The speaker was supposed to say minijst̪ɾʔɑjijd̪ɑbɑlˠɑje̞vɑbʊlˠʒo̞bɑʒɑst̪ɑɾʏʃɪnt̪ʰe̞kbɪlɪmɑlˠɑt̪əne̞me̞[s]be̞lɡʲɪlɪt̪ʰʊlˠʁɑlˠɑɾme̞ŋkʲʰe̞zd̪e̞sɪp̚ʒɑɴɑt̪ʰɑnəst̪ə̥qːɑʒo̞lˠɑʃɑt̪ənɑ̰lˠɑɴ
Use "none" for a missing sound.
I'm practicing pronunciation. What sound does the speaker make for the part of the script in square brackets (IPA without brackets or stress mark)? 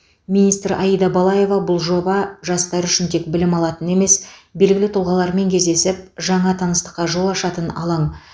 s